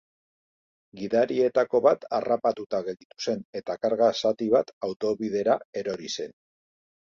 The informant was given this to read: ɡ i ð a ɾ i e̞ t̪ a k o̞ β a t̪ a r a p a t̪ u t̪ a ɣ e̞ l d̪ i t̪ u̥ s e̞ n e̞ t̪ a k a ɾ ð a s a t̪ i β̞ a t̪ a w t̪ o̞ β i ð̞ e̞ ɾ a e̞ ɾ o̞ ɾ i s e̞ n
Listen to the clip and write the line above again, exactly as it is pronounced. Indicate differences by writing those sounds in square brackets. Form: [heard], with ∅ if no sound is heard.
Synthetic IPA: ɡ i ð a ɾ i e̞ t̪ a k o̞ β a t̪ a r a p a t̪ u t̪ a ɣ e̞ l d̪ i t̪ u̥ s e̞ n e̞ t̪ a k a ɾ [ɣ] a s a t̪ i β̞ a t̪ a w t̪ o̞ β i ð̞ e̞ ɾ a e̞ ɾ o̞ ɾ i s e̞ n